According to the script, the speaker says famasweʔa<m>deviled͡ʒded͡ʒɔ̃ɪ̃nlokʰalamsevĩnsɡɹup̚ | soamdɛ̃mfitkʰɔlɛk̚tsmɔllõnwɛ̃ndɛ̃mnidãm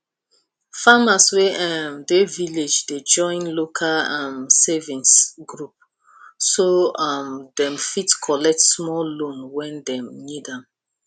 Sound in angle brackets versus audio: correct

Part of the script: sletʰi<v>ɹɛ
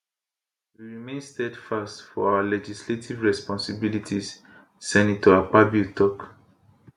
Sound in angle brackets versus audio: correct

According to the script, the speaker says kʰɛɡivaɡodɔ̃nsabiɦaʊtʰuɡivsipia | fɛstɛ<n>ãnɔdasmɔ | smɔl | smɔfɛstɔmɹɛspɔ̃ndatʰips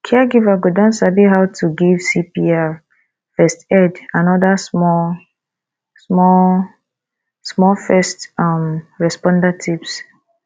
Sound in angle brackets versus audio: incorrect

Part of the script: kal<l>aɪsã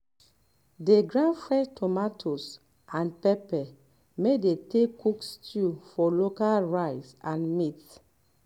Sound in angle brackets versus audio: incorrect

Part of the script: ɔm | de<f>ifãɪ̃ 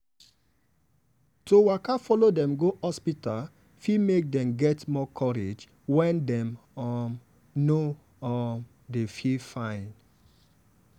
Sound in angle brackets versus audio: correct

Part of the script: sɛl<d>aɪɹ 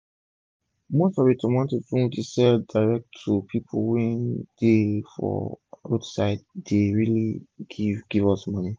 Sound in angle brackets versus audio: correct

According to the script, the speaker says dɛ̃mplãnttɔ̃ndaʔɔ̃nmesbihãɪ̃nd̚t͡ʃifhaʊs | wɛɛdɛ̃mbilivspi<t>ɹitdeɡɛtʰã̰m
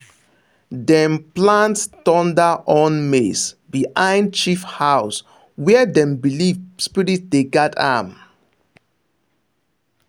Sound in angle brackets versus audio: incorrect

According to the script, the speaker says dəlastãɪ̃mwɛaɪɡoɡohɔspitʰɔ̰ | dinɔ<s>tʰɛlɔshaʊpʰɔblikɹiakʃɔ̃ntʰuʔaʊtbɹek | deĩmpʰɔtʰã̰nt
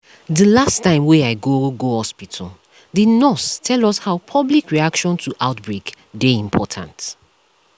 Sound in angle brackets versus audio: correct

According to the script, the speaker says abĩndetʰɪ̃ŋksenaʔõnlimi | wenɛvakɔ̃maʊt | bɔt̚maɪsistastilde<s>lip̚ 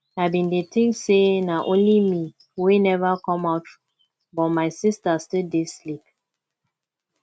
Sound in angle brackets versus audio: correct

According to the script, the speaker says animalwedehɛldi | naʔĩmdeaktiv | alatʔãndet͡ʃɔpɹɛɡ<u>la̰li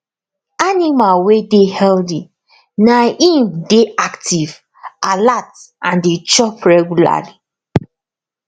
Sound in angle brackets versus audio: correct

